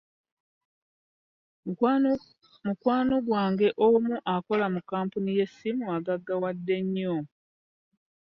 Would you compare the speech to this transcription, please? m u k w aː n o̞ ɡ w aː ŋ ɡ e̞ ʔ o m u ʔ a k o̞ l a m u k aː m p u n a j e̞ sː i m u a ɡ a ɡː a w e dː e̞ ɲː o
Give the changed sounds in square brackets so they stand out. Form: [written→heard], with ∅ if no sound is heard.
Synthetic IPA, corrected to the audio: m u k w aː n o̞ ɡ w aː ŋ ɡ e̞ ʔ o m u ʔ a k o̞ l a m u k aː m p u n [a→i] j e̞ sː i m u a ɡ a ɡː a w [e→a] dː e̞ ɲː o

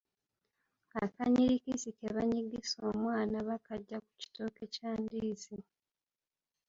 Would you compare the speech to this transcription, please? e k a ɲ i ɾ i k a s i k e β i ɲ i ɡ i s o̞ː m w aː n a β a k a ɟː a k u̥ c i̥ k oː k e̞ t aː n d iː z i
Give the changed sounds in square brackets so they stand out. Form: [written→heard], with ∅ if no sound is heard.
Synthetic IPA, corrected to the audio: [e→a] k a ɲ i ɾ i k [a→i] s i k e β [i→a] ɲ i ɡ i s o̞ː m w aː n a β a k a ɟː a k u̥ c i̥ [k→t] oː k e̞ [t→c] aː n d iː z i

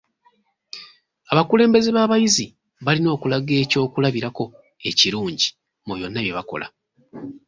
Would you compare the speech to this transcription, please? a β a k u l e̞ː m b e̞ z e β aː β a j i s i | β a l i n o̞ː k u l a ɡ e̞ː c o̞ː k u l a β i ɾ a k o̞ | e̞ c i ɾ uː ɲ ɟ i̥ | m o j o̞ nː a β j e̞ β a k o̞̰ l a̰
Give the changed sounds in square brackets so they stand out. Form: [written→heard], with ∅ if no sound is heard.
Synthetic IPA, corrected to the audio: a β a k u l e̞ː m b e̞ z e β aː β a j i [s→z] i | β a l i n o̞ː k u l a ɡ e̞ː c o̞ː k u l a β i ɾ a k o̞ | e̞ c i ɾ uː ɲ ɟ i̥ | m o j o̞ nː a β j e̞ β a k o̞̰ l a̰

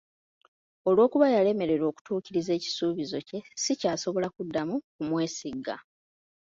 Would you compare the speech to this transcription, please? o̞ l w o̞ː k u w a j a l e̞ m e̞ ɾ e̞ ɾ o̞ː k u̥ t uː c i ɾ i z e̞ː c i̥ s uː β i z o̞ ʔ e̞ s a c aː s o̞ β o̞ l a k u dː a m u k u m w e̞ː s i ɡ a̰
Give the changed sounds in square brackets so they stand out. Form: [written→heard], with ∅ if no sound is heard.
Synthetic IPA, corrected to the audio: o̞ l w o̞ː k u [w→β] a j a l e̞ m e̞ ɾ e̞ ɾ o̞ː k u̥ t uː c i ɾ i z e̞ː c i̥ s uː β i z o̞ [ʔ→c] e̞ s [a→i] c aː s o̞ β o̞ l a k u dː a m u k u m w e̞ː s i ɡ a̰

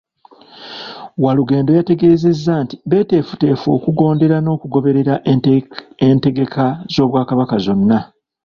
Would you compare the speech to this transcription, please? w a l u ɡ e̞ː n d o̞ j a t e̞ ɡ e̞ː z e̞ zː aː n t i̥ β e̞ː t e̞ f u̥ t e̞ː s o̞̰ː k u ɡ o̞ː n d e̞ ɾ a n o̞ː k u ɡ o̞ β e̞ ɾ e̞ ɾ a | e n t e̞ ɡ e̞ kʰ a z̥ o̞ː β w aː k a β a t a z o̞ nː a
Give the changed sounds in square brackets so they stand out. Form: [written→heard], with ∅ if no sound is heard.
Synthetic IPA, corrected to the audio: w a l u ɡ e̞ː n d o̞ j a t e̞ ɡ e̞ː z e̞ zː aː n t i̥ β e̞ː t e̞ f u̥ t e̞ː [s→f] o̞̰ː k u ɡ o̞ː n d e̞ ɾ a n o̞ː k u ɡ o̞ β e̞ ɾ e̞ ɾ a | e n t e̞ ɡ e̞ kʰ a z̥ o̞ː β w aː k a β a [t→k] a z o̞ nː a

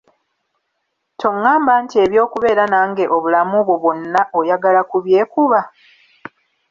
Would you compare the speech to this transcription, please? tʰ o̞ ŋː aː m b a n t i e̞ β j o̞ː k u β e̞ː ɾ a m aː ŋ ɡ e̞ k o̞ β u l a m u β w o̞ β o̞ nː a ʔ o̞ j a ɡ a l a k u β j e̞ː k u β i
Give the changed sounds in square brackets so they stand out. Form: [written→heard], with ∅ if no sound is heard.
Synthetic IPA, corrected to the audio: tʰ o̞ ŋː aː m b a n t i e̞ β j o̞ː k u β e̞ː ɾ a [m→n] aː ŋ ɡ e̞ [k→ʔ] o̞ β u l a m u β w o̞ β o̞ nː a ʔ o̞ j a ɡ a l a k u β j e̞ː k u β [i→a]

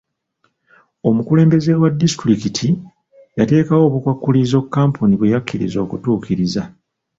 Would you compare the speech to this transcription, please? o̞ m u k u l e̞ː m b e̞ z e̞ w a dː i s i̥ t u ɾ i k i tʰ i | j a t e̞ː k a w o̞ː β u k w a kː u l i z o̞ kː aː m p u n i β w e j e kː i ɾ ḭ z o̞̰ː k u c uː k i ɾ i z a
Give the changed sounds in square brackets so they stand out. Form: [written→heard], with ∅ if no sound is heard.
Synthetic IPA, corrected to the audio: o̞ m u k u l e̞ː m b e̞ z e̞ w a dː i s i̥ t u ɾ i k i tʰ i | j a t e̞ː k a w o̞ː β u k w a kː u l i z o̞ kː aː m p u n i β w e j [e→a] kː i ɾ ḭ z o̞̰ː k u [c→t] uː k i ɾ i z a

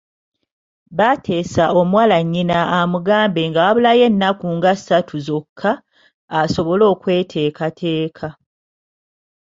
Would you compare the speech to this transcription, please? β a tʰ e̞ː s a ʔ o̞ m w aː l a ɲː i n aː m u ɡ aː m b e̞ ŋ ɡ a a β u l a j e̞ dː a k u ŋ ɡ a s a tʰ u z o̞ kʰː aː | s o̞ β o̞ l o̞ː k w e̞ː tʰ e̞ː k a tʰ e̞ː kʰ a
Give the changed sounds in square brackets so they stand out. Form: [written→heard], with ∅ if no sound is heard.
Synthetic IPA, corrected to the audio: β a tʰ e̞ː s a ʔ o̞ m w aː l a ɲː i n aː m u ɡ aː m b e̞ ŋ ɡ a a β u l a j e̞ [dː→nː] a k u ŋ ɡ a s a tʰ u z o̞ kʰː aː | s o̞ β o̞ l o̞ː k w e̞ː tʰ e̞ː k a tʰ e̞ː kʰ a

